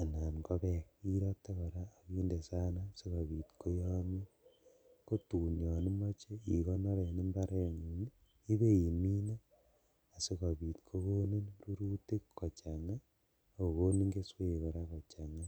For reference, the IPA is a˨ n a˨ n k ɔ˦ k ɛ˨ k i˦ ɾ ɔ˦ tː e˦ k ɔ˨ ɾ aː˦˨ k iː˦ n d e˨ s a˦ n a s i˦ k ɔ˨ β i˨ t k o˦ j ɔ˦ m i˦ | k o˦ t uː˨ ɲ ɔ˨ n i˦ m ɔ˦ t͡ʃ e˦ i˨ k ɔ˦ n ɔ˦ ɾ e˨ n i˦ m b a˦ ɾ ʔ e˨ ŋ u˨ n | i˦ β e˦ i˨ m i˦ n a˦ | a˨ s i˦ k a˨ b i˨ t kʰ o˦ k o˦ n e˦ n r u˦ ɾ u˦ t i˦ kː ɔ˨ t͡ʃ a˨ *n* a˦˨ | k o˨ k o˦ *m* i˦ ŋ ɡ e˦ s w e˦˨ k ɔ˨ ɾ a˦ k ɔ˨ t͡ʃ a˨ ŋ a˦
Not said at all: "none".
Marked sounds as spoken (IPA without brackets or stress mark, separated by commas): ŋ, n